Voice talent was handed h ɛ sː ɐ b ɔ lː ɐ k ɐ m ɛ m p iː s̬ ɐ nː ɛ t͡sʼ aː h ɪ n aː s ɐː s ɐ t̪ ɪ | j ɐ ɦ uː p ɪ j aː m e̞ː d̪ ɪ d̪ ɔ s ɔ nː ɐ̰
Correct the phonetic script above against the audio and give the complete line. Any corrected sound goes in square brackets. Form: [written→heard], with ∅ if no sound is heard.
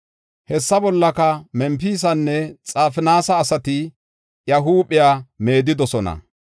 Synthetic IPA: h ɛ sː ɐ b ɔ lː ɐ k ɐ m ɛ m p iː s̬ ɐ nː ɛ t͡sʼ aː [h→f] ɪ n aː s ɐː s ɐ t̪ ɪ | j ɐ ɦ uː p ɪ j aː m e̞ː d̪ ɪ d̪ ɔ s ɔ [nː→n] ɐ̰